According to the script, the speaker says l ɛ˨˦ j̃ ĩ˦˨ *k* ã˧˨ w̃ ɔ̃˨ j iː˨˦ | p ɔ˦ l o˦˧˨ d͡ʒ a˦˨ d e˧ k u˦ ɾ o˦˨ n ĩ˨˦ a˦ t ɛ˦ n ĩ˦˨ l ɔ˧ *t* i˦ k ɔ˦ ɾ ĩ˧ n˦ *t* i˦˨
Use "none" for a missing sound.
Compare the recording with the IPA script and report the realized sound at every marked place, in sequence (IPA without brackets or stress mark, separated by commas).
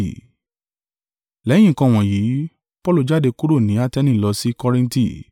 k, s, t